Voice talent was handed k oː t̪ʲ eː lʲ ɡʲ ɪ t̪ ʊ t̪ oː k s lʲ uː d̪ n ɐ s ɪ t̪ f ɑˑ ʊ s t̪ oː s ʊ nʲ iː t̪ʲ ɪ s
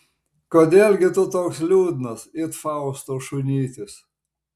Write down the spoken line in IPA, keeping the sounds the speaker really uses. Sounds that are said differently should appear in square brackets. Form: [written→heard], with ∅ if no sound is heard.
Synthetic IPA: k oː [t̪ʲ→d̪ʲ] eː lʲ ɡʲ ɪ t̪ ʊ t̪ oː k s lʲ uː d̪ n ɐ s ɪ t̪ f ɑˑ ʊ s t̪ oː [s→ʃ] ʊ nʲ iː t̪ʲ ɪ s